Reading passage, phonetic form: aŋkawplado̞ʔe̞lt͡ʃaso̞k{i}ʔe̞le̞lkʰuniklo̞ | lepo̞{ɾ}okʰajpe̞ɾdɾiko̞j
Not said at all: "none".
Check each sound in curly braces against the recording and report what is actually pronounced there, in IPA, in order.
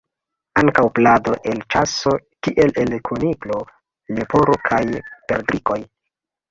i, ɾ

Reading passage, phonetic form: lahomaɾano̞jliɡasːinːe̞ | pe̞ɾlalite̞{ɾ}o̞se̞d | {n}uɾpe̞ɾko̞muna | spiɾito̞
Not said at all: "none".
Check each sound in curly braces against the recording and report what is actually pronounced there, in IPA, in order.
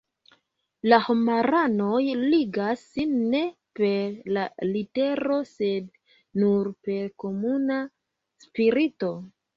ɾ, n

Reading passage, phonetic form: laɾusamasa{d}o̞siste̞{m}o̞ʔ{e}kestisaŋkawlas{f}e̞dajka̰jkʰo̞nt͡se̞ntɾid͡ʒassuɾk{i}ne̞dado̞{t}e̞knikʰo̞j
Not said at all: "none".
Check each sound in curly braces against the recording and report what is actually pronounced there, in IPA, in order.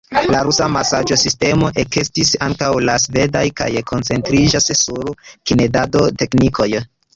d͡ʒ, m, e, v, i, t

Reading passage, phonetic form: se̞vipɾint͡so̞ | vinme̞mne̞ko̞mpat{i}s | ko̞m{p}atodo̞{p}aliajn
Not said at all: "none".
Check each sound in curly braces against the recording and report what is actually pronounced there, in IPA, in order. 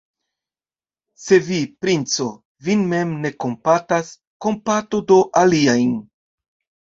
a, p, ʔ

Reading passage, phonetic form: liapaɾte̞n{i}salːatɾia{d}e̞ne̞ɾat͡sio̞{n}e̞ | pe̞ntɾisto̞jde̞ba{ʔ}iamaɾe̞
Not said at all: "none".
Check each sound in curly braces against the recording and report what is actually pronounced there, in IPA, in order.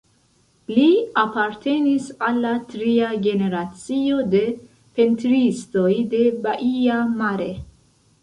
i, ɡ, d, ʔ

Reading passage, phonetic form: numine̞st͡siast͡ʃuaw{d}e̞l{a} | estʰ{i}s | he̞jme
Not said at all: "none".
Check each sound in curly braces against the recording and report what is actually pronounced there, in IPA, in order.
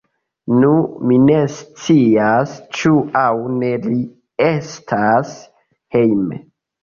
n, i, a

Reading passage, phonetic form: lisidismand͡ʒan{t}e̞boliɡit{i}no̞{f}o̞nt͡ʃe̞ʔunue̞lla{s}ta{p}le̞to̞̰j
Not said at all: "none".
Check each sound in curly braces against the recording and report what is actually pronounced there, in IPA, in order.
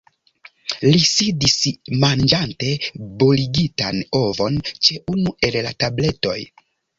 t, a, v, none, b

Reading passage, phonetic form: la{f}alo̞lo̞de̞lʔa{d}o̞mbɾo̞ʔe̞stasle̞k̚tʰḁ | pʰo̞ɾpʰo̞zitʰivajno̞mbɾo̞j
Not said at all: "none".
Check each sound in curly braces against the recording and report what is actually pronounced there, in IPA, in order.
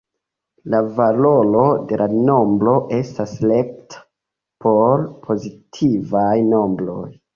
v, n

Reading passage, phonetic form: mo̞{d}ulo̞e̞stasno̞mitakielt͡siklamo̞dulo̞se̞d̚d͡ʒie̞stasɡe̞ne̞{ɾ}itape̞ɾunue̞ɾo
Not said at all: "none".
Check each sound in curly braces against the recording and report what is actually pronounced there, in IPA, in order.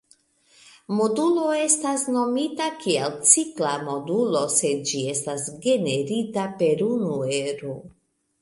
d, ɾ

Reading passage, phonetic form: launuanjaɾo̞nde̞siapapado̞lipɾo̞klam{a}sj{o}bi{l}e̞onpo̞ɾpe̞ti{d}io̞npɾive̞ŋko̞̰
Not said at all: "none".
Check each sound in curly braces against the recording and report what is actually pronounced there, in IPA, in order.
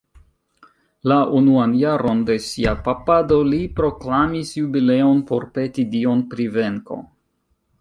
i, u, l, d

